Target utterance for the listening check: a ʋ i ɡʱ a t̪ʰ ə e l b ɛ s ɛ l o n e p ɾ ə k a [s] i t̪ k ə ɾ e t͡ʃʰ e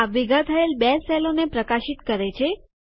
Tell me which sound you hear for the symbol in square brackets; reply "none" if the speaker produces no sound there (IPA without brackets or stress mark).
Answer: ʃ